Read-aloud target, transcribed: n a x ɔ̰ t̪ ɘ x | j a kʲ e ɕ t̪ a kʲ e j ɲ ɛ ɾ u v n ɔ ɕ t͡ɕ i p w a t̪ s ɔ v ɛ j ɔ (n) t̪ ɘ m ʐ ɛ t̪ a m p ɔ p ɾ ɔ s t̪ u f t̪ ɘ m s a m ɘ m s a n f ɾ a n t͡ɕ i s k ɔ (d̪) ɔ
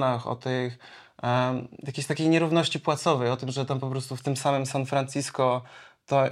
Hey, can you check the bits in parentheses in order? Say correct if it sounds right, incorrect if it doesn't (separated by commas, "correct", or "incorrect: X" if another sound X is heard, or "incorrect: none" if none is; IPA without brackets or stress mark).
incorrect: none, incorrect: t̪